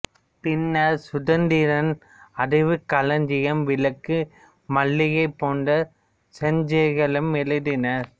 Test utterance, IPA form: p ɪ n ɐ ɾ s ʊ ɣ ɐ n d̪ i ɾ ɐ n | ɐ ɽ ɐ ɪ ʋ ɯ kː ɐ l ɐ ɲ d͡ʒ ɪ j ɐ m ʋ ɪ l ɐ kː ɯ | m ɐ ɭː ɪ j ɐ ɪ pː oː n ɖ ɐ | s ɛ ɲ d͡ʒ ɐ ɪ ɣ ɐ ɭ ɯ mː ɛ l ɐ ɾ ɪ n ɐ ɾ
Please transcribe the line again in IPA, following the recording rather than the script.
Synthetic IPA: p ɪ nː ɐ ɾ s ʊ ð ɐ n d̪ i ɾ ɐ n | ɐ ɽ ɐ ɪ ʋ ɯ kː ɐ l ɐ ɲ d͡ʒ ɪ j ɐ m ʋ ɪ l ɐ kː ɯ | m ɐ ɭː ɪ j ɐ ɪ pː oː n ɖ ɐ | s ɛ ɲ d͡ʒ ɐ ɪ ɣ ɐ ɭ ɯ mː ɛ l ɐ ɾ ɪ n ɐ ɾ